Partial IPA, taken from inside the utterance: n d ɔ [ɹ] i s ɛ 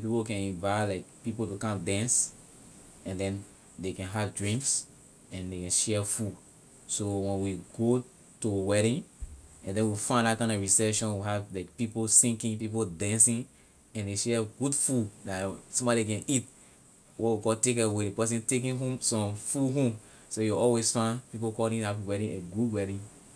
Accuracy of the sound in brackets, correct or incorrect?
correct